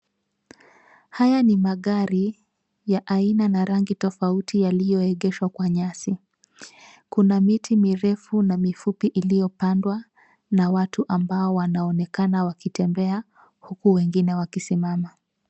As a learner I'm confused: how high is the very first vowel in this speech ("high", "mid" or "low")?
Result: low